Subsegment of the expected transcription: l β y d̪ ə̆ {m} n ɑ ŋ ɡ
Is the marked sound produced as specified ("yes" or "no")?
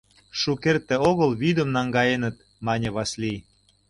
yes